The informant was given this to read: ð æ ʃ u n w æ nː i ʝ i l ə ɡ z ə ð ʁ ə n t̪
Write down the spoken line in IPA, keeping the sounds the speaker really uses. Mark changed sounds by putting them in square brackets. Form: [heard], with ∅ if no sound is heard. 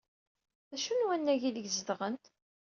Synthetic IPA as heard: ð æ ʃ u n w æ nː [æ] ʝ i l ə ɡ z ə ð ʁ ə n t̪